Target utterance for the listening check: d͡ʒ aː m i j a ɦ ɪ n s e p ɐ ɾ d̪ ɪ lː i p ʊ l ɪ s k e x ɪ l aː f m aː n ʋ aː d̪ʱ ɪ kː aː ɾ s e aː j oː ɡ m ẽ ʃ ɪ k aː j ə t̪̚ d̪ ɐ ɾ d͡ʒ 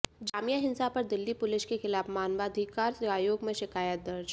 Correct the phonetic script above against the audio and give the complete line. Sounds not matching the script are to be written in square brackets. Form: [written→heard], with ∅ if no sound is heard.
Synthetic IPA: d͡ʒ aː m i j a ɦ ɪ n s [e→a] p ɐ ɾ d̪ ɪ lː i p ʊ l ɪ [s→ʃ] k e x ɪ l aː f m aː n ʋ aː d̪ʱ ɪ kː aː ɾ s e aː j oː ɡ m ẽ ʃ ɪ k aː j ə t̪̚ d̪ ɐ ɾ d͡ʒ